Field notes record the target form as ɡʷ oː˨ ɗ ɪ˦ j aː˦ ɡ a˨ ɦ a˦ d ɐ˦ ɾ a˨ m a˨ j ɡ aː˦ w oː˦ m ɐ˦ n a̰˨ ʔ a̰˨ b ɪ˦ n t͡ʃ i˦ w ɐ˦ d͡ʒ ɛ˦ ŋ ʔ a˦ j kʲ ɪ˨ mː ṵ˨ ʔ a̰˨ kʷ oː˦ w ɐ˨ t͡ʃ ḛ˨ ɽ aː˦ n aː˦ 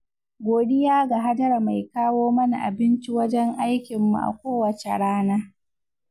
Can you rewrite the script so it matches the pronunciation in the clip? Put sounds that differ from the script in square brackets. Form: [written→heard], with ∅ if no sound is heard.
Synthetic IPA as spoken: ɡʷ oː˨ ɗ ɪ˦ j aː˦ ɡ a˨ ɦ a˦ d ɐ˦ ɾ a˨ m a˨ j [ɡ→k] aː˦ w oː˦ m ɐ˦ n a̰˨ ʔ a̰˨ b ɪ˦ n t͡ʃ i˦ w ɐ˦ d͡ʒ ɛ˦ ŋ ʔ a˦ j kʲ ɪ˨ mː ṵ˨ ʔ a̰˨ kʷ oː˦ w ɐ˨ t͡ʃ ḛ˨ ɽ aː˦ n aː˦